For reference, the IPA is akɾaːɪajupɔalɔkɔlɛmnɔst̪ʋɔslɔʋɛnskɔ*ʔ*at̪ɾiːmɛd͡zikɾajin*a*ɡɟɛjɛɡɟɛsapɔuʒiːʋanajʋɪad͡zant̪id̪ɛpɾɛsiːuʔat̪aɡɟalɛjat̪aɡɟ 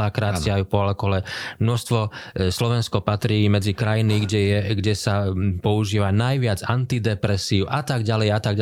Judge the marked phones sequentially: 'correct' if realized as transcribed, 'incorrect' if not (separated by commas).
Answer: incorrect, incorrect